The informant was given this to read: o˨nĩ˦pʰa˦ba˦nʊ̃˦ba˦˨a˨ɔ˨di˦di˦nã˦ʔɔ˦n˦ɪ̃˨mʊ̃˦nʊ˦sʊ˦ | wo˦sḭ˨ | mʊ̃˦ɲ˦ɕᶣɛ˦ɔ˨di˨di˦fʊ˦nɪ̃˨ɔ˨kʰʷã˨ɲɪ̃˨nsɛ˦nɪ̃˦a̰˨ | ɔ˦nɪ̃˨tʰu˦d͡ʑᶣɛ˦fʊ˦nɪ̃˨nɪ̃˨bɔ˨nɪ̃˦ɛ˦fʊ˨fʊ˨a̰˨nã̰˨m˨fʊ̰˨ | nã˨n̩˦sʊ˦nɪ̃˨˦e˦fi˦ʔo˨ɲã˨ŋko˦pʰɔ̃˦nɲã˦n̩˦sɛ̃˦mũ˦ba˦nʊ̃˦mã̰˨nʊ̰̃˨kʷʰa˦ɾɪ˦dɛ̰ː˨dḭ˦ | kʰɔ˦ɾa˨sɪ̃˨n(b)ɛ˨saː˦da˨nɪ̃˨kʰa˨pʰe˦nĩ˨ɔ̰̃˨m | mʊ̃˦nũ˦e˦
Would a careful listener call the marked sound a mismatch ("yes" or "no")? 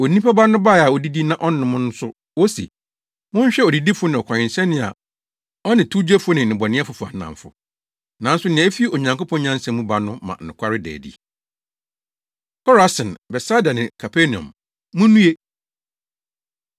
no